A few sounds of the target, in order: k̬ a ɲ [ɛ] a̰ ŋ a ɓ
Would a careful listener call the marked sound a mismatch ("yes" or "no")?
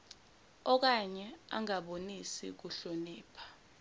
no